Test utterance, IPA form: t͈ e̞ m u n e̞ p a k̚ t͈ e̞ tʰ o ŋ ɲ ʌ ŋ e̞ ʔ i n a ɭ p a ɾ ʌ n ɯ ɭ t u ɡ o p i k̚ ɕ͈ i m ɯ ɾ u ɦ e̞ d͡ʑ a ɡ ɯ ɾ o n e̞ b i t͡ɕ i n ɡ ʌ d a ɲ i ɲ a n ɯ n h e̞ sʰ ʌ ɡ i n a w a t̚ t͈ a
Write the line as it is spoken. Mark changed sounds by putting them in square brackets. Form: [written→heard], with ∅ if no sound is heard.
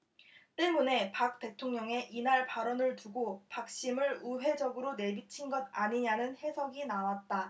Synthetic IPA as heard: t͈ e̞ m u n e̞ p a k̚ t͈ e̞ tʰ o ŋ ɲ ʌ ŋ e̞ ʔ i n a ɭ p a ɾ ʌ n ɯ ɭ t u ɡ o p [i→a] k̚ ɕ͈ i m ɯ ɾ u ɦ e̞ d͡ʑ [a→ʌ] ɡ ɯ ɾ o n e̞ b i [t͡ɕ→t͡ɕʰ] i n ɡ ʌ d a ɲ i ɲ a n ɯ n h e̞ sʰ ʌ ɡ i n a w a t̚ t͈ a